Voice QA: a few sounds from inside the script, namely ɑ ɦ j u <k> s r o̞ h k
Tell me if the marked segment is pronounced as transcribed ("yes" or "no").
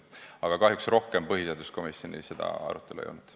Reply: yes